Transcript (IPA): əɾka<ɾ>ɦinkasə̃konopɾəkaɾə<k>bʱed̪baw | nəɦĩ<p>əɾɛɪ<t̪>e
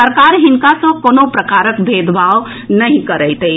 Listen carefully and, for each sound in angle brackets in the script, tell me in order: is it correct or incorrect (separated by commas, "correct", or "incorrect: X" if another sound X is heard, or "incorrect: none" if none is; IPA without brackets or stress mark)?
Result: correct, correct, incorrect: k, correct